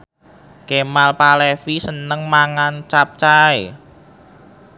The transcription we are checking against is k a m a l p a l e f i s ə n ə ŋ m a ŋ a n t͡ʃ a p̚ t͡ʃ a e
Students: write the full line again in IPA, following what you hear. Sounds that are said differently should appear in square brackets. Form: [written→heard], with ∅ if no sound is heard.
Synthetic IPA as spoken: k [a→e] m a l p a l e f i s ə n ə ŋ m a ŋ a n t͡ʃ a p̚ t͡ʃ a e